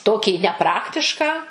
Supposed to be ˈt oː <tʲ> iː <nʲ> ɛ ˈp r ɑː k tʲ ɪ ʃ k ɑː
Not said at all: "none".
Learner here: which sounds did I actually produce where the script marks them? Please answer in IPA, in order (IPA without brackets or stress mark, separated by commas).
kʲ, nʲ